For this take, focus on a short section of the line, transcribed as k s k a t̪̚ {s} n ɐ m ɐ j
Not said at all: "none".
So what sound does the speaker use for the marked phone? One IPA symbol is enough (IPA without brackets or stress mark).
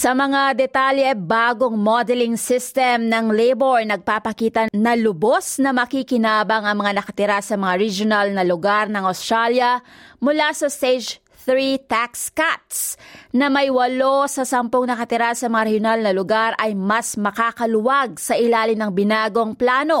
s